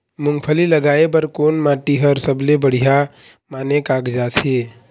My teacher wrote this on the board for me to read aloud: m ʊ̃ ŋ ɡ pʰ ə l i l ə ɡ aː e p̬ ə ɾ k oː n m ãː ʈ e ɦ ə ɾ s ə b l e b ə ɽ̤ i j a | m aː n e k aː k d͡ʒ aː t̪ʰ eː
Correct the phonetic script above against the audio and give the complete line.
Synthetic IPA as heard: m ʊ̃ ŋ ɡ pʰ ə l i l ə ɡ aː e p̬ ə ɾ k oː n m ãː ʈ i ɦ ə ɾ s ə b l e b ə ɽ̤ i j a | m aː n e k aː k d͡ʒ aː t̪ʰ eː